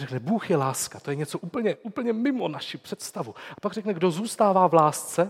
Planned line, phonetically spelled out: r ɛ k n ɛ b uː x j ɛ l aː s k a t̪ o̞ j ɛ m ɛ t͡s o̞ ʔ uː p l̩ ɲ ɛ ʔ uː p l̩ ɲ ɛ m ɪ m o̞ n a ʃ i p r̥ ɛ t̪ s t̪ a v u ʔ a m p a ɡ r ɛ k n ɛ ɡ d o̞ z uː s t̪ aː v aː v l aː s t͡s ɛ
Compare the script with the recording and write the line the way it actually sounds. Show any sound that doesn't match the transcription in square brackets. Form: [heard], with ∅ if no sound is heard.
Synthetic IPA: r ɛ k n ɛ b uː x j ɛ l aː s k a t̪ o̞ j ɛ [ɲ] ɛ t͡s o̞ ʔ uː p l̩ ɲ ɛ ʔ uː p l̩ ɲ ɛ m ɪ m o̞ n a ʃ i p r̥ ɛ t̪ s t̪ a v u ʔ a [∅] p a ɡ r ɛ k n ɛ ɡ d o̞ z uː s t̪ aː v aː v l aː s t͡s ɛ